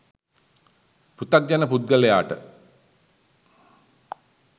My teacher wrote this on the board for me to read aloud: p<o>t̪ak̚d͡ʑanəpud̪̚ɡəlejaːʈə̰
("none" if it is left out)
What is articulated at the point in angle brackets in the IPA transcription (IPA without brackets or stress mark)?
u